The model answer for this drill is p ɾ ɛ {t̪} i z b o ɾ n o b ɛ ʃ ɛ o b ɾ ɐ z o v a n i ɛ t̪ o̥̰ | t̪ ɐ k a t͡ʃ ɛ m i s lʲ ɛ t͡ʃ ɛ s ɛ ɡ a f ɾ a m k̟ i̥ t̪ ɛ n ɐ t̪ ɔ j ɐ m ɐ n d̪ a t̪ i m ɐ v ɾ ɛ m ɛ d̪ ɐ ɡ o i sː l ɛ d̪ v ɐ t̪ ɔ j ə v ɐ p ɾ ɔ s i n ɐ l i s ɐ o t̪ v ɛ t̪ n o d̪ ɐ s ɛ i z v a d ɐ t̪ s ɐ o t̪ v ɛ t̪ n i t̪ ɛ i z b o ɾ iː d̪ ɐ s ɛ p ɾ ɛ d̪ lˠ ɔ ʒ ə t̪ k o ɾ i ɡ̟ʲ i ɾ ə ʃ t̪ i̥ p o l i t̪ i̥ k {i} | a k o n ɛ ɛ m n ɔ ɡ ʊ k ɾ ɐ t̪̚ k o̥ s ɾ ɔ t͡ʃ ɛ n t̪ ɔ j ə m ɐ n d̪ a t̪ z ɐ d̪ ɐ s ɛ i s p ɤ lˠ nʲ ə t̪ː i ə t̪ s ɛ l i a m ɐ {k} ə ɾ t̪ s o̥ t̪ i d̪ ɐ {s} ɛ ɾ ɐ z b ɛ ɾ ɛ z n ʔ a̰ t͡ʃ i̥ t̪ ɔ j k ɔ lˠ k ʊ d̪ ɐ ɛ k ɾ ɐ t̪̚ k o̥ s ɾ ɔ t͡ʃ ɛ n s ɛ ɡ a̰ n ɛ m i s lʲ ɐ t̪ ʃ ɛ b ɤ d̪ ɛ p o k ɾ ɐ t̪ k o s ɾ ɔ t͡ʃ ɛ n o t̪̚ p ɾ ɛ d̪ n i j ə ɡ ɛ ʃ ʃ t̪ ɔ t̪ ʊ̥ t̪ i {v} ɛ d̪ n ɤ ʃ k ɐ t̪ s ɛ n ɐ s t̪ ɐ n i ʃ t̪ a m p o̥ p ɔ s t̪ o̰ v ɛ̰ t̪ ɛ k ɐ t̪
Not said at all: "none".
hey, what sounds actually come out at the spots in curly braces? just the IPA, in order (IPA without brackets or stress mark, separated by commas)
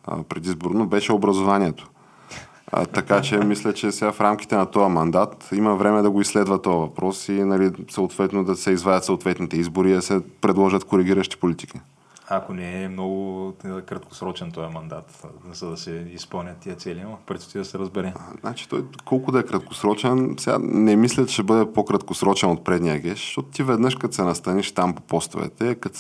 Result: d̪, i, p, s, v